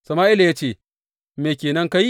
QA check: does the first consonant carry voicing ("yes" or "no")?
no